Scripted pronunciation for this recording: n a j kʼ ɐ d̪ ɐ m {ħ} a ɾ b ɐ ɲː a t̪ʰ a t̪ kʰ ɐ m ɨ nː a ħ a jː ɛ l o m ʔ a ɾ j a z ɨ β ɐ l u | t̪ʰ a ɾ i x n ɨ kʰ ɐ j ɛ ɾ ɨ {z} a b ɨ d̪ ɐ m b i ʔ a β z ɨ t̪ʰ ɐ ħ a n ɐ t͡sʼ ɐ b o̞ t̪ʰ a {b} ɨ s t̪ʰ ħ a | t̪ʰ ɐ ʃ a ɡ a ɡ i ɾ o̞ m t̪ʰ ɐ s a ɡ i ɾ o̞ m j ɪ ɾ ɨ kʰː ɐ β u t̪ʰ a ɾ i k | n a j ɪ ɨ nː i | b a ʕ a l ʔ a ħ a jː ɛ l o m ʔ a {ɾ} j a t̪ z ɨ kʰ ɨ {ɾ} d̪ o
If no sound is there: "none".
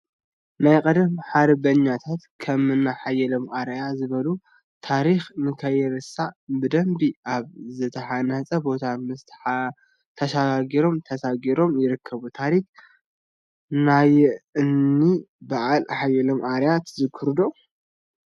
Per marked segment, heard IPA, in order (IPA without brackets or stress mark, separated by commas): ħ, s, m, ɾ, ɾ